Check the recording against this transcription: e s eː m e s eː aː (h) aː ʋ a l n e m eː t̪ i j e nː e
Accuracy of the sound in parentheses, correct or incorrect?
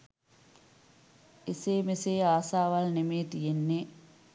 incorrect